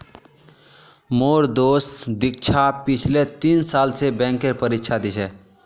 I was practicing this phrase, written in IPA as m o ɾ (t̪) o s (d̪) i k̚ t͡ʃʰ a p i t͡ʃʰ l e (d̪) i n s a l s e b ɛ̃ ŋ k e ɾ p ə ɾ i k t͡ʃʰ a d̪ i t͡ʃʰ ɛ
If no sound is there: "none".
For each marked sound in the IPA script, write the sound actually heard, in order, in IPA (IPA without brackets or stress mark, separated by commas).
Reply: d̪, d̪, t̪